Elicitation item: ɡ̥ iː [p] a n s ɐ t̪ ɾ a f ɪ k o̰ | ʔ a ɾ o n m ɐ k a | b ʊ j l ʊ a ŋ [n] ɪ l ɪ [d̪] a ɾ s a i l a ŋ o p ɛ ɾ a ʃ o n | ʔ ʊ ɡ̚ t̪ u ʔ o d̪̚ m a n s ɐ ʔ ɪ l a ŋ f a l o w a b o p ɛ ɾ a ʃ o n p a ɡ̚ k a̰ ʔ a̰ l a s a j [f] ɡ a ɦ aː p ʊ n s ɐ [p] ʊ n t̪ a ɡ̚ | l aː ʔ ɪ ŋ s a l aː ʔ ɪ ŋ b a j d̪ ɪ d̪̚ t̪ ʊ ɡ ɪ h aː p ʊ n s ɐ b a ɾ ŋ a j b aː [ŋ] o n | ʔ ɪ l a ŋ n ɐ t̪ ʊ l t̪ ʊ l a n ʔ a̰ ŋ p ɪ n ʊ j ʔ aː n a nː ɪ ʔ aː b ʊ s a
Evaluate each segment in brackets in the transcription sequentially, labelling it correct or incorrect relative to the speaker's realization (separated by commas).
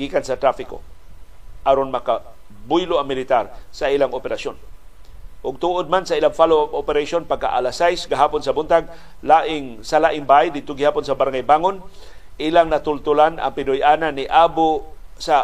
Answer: incorrect, incorrect, incorrect, incorrect, incorrect, correct